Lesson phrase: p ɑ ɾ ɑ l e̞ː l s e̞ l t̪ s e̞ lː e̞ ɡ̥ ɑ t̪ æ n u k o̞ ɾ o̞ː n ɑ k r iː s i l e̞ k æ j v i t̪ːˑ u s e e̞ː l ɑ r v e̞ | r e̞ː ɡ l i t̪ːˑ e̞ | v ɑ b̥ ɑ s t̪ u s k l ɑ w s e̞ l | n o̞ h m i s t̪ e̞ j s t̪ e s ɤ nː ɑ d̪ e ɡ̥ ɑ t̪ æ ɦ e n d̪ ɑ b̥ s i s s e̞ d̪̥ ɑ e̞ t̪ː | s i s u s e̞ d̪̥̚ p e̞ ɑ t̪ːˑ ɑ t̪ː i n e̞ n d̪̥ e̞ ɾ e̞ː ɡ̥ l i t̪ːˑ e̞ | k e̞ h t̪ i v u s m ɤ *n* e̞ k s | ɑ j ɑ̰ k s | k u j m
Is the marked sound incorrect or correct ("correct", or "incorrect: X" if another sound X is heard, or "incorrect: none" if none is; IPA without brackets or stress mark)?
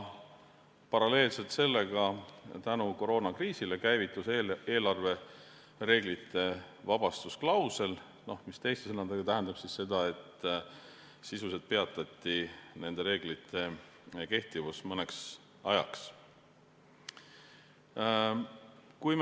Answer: correct